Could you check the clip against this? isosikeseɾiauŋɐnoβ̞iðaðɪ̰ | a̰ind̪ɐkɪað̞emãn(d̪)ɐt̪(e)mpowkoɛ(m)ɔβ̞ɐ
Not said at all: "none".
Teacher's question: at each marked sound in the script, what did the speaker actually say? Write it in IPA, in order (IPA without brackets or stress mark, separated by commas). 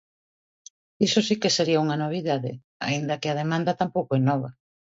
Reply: d̪, a, n